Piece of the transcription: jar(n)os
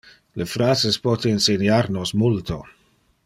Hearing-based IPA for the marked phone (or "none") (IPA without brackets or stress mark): n